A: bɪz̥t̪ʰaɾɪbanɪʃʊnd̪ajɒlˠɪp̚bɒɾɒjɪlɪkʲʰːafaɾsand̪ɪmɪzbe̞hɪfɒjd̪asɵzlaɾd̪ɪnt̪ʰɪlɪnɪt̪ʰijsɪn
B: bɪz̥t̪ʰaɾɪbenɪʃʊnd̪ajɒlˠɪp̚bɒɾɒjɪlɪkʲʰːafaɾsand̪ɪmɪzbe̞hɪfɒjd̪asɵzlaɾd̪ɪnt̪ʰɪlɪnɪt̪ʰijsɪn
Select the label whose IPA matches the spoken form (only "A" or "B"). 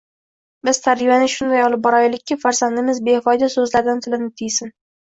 A